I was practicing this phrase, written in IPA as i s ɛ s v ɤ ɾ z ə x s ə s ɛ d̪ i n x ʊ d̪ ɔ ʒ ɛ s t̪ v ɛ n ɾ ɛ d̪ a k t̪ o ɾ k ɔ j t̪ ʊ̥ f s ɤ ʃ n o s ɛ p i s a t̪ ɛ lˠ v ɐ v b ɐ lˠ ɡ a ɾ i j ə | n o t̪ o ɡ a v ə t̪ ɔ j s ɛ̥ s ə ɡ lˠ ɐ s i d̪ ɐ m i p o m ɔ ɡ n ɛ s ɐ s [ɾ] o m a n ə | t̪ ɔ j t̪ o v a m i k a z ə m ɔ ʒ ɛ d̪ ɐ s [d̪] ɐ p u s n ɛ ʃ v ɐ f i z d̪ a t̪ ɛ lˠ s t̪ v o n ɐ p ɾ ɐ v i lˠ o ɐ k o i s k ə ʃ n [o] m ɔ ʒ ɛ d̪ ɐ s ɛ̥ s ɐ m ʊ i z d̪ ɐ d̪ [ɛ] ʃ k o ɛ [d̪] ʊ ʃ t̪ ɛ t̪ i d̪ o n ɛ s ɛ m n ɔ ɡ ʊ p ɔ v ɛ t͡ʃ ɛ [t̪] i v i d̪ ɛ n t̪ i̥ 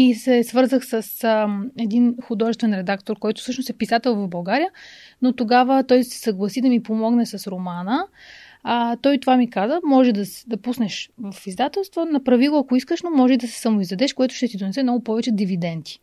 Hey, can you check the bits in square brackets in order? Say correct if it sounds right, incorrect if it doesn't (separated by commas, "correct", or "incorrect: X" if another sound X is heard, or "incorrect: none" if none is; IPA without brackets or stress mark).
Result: correct, correct, correct, correct, incorrect: t̪, incorrect: d̪